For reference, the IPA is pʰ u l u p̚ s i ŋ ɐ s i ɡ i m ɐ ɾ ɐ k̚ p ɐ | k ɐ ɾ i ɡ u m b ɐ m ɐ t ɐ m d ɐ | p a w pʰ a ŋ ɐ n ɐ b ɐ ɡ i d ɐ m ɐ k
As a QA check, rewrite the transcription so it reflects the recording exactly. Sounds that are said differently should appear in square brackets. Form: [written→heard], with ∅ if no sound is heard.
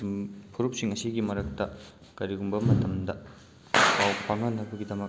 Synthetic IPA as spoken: pʰ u [l→ɾ] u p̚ s i ŋ ɐ s i ɡ i m ɐ ɾ ɐ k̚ [p→t] ɐ | k ɐ ɾ i ɡ u m b ɐ m ɐ t ɐ m d ɐ | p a w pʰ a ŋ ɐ n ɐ b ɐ ɡ i d ɐ m ɐ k